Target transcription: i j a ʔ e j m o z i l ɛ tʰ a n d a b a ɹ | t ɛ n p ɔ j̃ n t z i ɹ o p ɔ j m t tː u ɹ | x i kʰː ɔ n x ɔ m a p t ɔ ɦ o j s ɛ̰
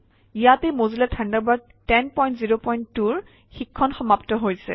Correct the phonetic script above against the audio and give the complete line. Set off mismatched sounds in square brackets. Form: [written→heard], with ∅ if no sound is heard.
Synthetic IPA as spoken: i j a [ʔ→t] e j m o z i l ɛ tʰ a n d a b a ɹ | t ɛ n p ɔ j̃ n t z i ɹ o p ɔ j [m→n] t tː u ɹ | x i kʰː ɔ n x ɔ m a p t ɔ ɦ o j s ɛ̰

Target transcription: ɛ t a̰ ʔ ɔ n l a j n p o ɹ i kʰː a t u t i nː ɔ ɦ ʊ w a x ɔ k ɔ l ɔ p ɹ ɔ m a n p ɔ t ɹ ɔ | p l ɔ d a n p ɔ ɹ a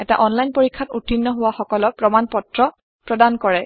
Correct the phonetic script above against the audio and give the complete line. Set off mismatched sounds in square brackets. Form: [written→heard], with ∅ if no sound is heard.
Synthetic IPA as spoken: ɛ t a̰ ʔ ɔ n l a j n p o ɹ i kʰː a t u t i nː ɔ ɦ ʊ w a x ɔ k ɔ l ɔ p ɹ ɔ m a n p ɔ t ɹ ɔ | p [l→ɹ] ɔ d a n [p→k] ɔ ɹ [a→ɛ]

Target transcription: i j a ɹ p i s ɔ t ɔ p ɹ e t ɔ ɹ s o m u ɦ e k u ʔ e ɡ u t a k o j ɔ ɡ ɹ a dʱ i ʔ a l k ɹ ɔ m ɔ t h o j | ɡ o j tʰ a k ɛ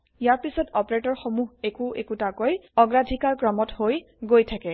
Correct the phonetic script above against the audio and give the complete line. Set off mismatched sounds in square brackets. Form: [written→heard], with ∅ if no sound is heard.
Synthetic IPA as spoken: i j a ɹ p i s ɔ t ɔ p ɹ e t ɔ ɹ [s→x] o m u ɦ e k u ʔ e [ɡ→k] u t a k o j ɔ ɡ ɹ a dʱ i [ʔ→k] a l k ɹ ɔ m ɔ t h o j | ɡ o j tʰ a k ɛ

